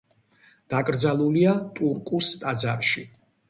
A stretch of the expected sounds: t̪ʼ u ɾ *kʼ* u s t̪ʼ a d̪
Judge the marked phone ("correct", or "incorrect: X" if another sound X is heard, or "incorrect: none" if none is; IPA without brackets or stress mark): correct